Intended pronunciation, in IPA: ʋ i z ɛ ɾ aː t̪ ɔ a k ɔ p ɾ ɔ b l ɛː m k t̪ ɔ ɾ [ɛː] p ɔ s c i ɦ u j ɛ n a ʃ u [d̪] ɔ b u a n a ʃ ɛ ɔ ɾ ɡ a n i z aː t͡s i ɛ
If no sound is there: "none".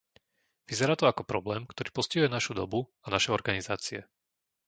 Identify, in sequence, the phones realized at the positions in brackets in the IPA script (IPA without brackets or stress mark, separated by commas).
iː, d̪